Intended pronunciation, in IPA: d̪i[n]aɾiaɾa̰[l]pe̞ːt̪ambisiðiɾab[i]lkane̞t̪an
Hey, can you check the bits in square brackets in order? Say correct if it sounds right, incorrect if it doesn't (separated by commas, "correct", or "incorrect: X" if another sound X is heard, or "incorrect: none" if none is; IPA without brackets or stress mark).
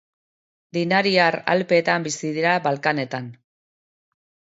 correct, correct, incorrect: a